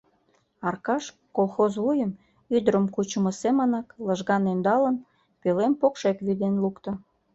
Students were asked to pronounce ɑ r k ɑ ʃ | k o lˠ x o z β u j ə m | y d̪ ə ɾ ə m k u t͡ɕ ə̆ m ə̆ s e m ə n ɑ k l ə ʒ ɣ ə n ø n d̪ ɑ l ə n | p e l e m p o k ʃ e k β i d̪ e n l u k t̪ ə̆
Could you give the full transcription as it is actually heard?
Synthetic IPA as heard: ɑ r k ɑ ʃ | k o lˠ x o z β u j ə m | y d̪ ə ɾ ə m k u t͡ɕ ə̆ m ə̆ s e m ə n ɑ k l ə ʒ ɣ ɑ n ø n d̪ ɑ l ə n | p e l e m p o k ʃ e k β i d̪ e n l u k t̪ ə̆